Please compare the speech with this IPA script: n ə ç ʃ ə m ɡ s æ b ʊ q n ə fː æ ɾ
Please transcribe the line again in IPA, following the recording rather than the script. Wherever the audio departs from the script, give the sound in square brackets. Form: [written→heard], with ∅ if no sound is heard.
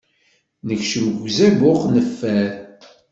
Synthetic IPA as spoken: n ə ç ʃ ə m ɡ [s→z] æ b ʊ q n ə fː æ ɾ